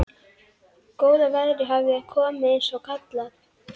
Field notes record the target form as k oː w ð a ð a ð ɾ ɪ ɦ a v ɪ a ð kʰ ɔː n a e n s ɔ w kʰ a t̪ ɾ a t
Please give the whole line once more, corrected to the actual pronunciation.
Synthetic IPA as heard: k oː w ð a v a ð ɾ ɪ ɦ a v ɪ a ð kʰ ɔː m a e n s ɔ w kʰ a t̪ l a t